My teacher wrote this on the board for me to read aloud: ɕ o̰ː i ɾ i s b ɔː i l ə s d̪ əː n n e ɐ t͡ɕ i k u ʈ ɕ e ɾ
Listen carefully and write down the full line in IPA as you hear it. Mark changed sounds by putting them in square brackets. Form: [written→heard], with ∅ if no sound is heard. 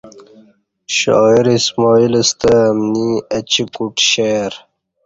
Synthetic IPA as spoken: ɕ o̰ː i ɾ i s [b→m] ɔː i l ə s [d̪→t̪] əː [n→m] n [e→i] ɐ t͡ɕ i k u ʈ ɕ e ɾ

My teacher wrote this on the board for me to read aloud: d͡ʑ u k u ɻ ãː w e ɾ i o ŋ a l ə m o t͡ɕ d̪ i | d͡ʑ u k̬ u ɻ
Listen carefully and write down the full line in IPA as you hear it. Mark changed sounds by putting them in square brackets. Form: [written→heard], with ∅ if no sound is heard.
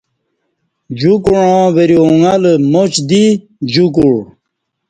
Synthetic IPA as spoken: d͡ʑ u k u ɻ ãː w e ɾ i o ŋ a l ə m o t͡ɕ d̪ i | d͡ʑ u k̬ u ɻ

